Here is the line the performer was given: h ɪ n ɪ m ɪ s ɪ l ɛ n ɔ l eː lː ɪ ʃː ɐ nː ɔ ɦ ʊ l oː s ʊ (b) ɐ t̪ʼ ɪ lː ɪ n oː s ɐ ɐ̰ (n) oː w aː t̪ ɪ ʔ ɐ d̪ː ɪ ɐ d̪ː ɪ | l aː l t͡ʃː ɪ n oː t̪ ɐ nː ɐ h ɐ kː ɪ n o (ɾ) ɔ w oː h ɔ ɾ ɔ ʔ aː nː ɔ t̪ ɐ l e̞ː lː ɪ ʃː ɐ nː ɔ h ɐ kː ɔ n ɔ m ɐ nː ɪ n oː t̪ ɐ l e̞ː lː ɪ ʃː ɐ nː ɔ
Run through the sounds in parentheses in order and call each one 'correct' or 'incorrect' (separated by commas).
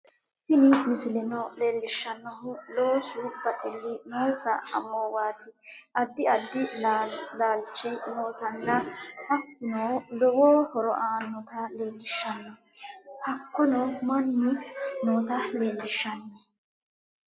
correct, incorrect, incorrect